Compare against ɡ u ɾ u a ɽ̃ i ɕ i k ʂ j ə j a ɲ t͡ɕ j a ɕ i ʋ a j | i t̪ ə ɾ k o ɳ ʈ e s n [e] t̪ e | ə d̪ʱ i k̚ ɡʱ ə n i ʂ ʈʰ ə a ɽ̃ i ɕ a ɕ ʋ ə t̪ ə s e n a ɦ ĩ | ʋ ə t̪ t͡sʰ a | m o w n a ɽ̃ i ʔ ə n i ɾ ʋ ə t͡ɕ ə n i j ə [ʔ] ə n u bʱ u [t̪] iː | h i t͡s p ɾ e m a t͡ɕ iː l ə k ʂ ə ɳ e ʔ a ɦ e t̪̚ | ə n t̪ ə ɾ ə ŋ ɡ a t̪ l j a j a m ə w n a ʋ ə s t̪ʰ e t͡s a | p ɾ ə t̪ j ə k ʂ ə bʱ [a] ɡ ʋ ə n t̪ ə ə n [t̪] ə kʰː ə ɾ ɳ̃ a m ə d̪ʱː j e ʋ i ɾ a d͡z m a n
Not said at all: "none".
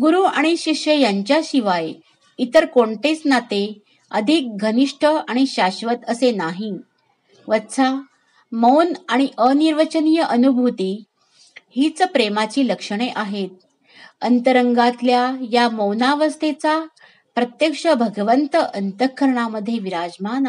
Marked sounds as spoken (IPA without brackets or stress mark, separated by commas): a, ʔ, t̪, ə, t̪